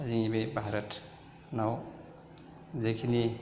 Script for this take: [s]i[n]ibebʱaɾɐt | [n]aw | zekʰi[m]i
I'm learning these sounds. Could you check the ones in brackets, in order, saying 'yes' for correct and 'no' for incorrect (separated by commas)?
no, no, yes, no